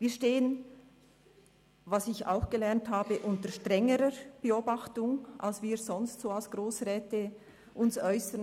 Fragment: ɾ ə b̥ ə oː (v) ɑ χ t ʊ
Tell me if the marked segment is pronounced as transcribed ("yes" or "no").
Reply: no